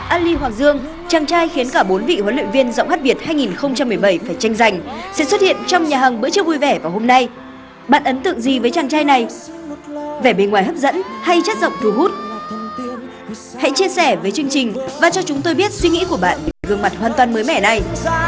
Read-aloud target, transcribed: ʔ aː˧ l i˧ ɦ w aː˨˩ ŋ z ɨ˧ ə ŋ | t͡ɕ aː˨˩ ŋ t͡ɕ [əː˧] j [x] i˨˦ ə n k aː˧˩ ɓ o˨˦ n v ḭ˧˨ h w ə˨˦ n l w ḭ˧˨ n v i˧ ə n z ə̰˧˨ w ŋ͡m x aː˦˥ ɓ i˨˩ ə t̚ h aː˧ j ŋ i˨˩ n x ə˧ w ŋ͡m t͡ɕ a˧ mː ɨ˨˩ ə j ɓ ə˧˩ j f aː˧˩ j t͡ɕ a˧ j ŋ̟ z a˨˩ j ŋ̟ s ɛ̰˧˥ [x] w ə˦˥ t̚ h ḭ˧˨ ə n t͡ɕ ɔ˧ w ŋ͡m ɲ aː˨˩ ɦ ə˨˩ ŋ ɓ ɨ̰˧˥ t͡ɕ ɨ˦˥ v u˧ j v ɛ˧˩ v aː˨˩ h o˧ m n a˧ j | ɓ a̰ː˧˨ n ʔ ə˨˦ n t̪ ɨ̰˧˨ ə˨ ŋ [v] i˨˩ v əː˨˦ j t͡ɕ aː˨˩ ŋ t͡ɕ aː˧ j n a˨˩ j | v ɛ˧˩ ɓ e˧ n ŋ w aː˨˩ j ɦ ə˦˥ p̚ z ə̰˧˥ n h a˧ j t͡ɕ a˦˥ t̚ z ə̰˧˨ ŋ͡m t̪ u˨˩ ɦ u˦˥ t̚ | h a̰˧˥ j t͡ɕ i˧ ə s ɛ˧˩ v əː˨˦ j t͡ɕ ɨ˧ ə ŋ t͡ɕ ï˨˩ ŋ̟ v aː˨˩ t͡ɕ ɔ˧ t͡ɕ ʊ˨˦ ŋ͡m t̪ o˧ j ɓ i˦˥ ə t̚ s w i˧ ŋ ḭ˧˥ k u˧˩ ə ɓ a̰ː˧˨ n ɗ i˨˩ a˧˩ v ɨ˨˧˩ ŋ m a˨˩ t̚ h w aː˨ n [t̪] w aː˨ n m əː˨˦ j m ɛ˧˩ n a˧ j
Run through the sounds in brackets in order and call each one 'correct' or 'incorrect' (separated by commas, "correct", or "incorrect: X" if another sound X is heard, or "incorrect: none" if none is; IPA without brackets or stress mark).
incorrect: aː˧, correct, incorrect: s, incorrect: z, correct